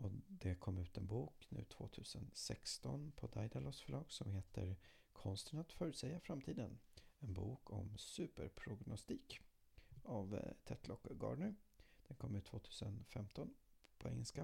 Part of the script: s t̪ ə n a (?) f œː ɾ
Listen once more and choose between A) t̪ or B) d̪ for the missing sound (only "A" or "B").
A